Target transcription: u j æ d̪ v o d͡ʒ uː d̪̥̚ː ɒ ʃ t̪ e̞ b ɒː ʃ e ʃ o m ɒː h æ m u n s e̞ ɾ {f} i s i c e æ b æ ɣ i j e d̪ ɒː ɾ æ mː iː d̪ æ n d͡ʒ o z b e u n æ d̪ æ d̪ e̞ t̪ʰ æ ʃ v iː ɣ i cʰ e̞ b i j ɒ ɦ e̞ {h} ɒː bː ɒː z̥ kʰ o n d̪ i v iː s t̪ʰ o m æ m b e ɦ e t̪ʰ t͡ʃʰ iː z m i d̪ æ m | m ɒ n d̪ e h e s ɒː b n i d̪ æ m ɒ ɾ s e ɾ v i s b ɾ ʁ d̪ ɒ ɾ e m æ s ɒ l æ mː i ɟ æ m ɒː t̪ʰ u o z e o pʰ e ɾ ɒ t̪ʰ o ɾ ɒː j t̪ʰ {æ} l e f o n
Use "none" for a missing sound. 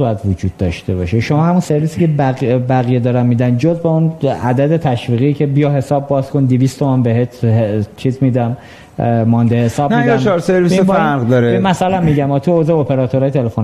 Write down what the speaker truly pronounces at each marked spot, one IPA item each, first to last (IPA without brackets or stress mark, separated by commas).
v, s, e